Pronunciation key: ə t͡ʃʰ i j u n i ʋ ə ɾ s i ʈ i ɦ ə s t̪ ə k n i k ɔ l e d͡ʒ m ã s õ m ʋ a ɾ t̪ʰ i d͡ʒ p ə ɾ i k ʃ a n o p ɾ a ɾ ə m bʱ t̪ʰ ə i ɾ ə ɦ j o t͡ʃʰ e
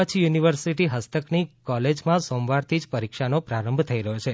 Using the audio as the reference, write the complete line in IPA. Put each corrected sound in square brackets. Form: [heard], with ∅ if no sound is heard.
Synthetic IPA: ə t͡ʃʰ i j u n i ʋ ə ɾ s i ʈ i ɦ ə s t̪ ə k n i k ɔ l e d͡ʒ m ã s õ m ʋ a ɾ t̪ʰ i d͡ʒ p ə ɾ i k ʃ a n o p ɾ a ɾ ə m bʱ t̪ʰ ə i ɾ ə ɦ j o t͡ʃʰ e